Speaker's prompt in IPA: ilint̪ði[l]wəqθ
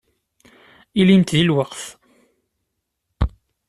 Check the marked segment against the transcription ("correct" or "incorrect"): correct